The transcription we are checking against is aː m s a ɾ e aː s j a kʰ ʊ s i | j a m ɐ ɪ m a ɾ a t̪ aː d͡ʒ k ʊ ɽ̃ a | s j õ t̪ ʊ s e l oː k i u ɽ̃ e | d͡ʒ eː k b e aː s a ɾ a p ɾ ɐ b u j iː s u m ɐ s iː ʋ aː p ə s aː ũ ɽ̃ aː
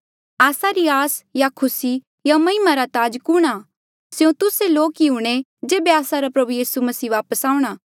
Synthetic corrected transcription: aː s a ɾ i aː s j a kʰ ʊ s i | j a m ɐ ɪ m a ɾ a t̪ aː d͡ʒ k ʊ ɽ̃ a | s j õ t̪ ʊ s e l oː k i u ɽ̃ e | d͡ʒ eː b e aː s a ɾ a p ɾ ɐ b u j iː s u m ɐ s iː ʋ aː p ə s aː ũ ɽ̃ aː